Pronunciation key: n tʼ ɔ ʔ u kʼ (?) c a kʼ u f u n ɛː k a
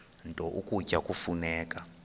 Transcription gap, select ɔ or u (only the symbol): u